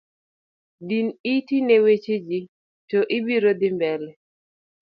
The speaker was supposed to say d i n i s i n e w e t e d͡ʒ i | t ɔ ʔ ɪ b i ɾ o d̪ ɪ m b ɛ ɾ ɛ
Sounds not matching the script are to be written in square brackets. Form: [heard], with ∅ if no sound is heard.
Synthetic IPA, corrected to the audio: d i n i [t] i n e w e [t͡ʃ] e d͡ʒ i | t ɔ ʔ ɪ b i ɾ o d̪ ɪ m b ɛ [l] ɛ